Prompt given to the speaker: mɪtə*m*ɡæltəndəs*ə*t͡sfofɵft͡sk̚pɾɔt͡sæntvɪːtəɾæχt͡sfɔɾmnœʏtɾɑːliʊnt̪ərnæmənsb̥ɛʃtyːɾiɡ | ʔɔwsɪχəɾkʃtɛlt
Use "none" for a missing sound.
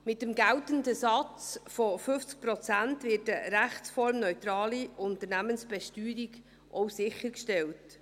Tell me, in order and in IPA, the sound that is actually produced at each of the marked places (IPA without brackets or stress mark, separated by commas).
m, ɑ